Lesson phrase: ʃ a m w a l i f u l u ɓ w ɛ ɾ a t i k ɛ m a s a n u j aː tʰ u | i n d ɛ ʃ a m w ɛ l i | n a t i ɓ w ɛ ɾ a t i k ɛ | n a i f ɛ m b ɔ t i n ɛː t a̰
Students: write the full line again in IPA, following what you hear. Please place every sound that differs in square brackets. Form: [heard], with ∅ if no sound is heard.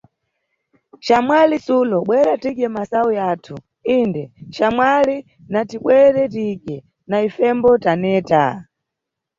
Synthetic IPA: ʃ a m w a l i [s] u l [ɔ] ɓ w ɛ ɾ a t i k ɛ m a s a [∅] u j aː tʰ u | i n d ɛ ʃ a m w [a] l i | n a t i ɓ w ɛ ɾ [ɛ] t i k ɛ | n a i f ɛ m b ɔ t [a] n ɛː t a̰

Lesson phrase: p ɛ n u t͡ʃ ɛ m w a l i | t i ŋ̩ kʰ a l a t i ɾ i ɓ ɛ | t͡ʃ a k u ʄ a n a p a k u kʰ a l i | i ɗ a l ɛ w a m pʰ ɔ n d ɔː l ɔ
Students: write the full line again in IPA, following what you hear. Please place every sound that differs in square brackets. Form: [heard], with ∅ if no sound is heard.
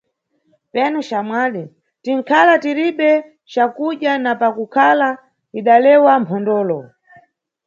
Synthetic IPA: p ɛ n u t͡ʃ [a] m w a l i | t i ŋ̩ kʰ a l a t i ɾ i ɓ ɛ | t͡ʃ a k u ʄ a n a p a k u kʰ a l [a] | i ɗ a l ɛ w a m pʰ ɔ n d ɔː l ɔ

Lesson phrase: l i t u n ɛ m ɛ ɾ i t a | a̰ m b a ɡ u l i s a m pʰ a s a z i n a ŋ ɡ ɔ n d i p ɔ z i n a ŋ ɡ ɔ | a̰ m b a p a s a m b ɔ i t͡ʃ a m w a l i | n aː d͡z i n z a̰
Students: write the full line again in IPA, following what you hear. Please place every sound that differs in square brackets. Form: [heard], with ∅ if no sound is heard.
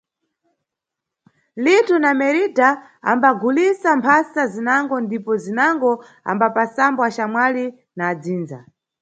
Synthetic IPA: l i t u n [a] m ɛ ɾ i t a | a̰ m b a ɡ u l i s a m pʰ a s a z i n a ŋ ɡ ɔ n d i p ɔ z i n a ŋ ɡ ɔ | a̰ m b a p a s a m b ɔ [a] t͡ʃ a m w a l i | n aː d͡z [iː] n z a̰

